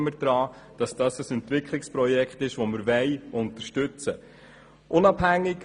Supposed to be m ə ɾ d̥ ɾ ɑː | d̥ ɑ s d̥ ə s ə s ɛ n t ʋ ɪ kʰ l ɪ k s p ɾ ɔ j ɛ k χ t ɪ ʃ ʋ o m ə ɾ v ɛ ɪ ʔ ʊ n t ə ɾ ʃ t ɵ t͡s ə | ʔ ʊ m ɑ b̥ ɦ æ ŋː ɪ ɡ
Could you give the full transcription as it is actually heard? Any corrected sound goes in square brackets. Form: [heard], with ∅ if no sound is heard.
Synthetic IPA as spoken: m ə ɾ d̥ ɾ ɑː | d̥ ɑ s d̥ [ɑ] s ə s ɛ n t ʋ ɪ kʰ l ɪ k s p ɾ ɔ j ɛ k χ t ɪ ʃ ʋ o m ə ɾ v ɛ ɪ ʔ ʊ n t ə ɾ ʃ t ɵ t͡s ə | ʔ ʊ [n] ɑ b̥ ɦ æ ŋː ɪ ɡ